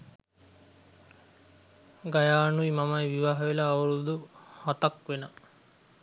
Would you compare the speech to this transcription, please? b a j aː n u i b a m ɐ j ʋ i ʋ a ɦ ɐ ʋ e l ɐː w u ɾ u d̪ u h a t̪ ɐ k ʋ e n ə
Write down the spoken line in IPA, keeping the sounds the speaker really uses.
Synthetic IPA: ɡ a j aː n u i m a m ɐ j ʋ i ʋ a ɦ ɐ ʋ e l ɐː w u ɾ u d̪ u h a t̪ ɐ k ʋ e n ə